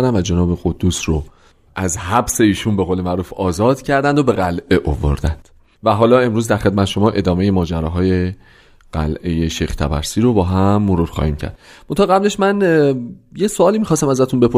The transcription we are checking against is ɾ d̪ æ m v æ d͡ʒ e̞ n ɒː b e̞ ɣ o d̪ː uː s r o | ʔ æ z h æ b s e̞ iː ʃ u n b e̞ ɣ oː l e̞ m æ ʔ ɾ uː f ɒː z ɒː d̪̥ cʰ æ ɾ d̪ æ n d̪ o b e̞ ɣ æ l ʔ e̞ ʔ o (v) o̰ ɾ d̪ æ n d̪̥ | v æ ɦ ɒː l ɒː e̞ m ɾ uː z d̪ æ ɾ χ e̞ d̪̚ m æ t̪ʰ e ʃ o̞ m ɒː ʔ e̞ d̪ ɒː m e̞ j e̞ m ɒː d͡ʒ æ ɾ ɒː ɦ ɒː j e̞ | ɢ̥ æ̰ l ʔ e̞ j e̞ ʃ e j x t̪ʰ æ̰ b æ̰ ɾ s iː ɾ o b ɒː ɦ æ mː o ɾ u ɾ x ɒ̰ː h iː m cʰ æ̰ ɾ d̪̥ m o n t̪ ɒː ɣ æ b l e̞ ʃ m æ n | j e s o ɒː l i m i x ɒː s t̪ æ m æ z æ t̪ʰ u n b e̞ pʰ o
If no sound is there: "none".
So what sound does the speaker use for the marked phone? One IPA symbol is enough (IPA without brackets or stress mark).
v